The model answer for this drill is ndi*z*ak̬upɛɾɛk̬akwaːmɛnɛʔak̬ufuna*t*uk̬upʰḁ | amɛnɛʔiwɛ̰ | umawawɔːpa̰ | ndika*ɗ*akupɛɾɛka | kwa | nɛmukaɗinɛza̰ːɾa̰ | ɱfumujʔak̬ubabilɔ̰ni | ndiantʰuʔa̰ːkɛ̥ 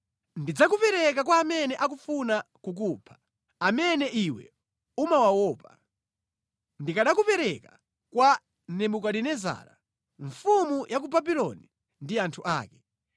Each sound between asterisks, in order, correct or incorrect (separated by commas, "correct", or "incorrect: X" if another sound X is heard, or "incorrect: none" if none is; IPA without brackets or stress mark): incorrect: d͡z, incorrect: k, correct